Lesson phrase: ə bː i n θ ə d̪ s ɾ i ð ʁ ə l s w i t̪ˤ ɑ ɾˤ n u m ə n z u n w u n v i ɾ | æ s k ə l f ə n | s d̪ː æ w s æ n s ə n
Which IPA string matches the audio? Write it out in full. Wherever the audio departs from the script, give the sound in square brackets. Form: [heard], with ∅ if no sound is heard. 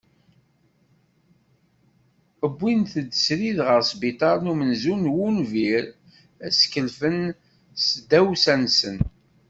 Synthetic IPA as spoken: ə bː i n θ ə d̪ s ɾ i ð ʁ ə [ɾ] s [b] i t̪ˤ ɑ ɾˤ n u m ə n z u n w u n v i ɾ | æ s k ə l f ə n | s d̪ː æ w s æ n s ə n